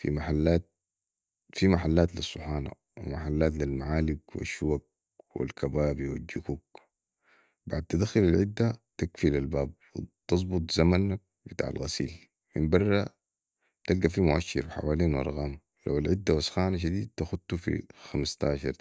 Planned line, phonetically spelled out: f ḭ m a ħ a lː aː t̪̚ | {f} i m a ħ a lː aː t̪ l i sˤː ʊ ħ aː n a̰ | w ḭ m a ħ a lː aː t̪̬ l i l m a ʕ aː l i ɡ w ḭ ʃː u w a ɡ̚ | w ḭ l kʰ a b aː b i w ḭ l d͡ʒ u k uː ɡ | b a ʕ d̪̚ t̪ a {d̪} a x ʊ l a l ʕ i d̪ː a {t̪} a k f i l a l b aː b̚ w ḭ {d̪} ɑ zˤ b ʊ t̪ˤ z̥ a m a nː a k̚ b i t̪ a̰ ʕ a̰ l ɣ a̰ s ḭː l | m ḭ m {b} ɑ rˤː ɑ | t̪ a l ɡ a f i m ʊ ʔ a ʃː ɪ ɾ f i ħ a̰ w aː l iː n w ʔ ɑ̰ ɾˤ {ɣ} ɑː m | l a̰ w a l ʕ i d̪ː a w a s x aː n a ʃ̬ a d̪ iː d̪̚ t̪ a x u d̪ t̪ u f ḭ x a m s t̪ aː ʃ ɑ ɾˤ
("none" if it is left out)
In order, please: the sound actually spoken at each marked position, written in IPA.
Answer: f, d̪, t̪, t̪, b, ɣ

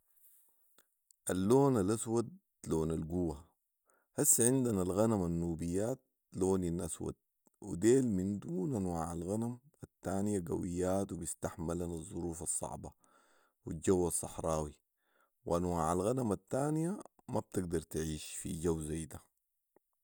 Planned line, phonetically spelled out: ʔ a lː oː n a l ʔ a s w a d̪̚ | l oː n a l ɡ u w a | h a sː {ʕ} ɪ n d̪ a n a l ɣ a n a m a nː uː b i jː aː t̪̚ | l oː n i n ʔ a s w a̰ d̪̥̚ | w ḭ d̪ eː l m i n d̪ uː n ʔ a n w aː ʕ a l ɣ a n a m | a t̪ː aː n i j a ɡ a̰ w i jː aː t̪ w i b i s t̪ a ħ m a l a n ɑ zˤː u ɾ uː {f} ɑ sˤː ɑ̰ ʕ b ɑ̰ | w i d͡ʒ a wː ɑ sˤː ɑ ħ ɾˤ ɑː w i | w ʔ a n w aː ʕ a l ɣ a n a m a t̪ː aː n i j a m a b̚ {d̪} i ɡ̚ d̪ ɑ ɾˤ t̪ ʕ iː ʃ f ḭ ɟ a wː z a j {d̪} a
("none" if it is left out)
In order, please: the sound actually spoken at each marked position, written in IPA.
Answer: ʕ, f, t̪, d̪

